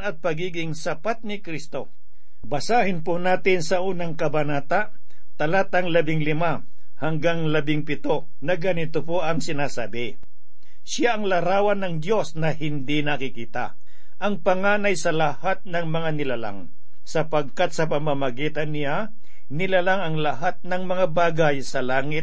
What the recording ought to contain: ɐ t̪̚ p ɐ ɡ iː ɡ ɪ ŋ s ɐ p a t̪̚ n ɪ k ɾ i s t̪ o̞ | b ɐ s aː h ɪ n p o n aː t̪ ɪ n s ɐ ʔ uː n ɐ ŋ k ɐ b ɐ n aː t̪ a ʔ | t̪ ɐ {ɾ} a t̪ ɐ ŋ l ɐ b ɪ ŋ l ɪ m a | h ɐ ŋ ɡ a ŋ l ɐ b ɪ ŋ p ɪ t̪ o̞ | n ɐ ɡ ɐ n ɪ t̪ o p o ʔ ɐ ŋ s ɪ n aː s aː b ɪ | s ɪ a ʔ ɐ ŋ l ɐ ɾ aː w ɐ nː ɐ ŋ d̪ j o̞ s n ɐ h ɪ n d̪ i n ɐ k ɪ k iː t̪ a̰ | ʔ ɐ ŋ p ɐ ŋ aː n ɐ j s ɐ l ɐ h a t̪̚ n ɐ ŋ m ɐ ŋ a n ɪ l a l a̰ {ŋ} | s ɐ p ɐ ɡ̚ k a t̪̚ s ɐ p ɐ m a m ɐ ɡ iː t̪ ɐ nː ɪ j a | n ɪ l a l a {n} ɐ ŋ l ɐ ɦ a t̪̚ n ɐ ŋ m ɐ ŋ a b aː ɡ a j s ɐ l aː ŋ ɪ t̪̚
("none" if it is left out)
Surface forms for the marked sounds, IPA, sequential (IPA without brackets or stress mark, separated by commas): l, ŋ, ŋ